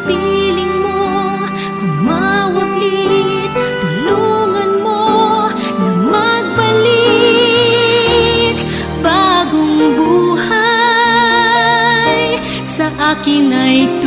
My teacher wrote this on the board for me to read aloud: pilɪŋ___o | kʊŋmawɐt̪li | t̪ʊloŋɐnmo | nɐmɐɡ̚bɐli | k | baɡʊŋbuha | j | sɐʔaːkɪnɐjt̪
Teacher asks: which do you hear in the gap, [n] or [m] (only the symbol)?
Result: m